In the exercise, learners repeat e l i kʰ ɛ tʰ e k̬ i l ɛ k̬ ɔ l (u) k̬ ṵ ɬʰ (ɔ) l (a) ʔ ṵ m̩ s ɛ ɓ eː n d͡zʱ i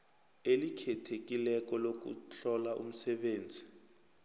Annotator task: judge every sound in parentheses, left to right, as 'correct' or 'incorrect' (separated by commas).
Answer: incorrect, correct, correct